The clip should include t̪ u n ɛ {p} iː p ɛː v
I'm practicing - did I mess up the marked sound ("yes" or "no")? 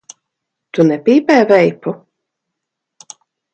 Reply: no